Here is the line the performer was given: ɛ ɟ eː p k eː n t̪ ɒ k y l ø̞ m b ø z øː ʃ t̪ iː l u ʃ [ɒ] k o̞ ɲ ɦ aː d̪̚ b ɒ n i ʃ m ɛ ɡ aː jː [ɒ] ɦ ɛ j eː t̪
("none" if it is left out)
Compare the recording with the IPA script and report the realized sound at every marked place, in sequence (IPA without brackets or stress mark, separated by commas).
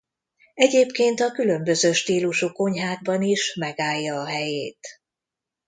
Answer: u, ɒː